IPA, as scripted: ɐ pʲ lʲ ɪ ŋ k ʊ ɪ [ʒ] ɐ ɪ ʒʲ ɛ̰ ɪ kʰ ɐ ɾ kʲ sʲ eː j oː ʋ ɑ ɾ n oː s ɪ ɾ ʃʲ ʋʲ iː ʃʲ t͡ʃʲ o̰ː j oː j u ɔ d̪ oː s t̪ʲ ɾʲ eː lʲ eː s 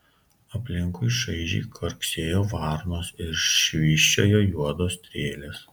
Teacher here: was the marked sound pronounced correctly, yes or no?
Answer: no